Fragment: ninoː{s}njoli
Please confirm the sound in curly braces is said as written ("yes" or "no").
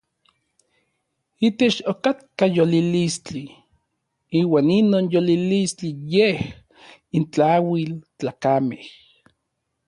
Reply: no